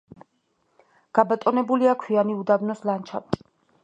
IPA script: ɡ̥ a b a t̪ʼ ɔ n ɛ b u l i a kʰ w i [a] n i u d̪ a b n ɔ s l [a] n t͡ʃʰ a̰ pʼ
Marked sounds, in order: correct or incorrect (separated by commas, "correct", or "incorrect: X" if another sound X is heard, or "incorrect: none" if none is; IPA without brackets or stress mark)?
correct, correct